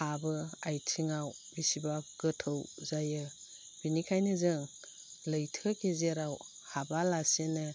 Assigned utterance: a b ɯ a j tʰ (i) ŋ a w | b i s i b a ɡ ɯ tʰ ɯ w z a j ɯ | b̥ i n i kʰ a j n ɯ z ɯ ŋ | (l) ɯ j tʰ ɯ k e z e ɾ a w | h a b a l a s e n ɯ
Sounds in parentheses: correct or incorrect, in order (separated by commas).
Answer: correct, correct